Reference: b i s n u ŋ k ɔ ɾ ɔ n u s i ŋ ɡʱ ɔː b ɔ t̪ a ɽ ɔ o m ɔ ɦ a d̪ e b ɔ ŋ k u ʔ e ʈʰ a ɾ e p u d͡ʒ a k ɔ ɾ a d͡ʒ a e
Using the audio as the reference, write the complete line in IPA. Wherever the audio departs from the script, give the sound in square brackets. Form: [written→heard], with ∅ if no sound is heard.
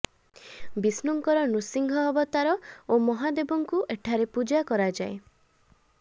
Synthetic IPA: b i s n u ŋ k ɔ ɾ ɔ n u s i ŋ ɡʱ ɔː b ɔ t̪ a [ɽ→ɾ] ɔ o m ɔ ɦ a d̪ e b ɔ ŋ k u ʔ e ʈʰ a ɾ e p u d͡ʒ a k ɔ ɾ a d͡ʒ a e